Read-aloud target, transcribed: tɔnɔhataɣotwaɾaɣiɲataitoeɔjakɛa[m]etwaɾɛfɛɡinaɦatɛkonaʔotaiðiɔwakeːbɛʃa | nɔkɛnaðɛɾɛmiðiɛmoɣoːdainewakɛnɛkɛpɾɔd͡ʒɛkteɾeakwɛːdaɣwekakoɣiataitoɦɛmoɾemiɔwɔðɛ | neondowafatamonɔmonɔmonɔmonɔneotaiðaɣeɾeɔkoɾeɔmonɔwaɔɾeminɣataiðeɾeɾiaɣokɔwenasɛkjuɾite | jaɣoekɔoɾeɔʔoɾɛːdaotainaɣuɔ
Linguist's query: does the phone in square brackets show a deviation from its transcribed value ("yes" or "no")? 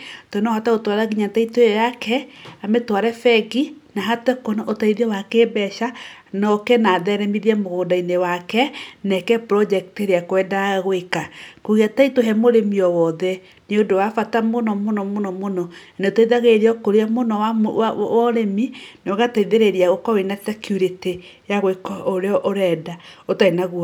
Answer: no